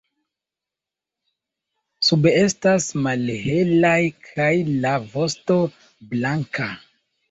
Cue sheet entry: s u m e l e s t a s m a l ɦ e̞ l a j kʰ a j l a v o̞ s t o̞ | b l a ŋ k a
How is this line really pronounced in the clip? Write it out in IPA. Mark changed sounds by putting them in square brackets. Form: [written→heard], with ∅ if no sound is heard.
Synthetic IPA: s u [m→b] e [l→∅] e s t a s m a l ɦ e̞ l a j kʰ a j l a v o̞ s t o̞ | b l a ŋ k a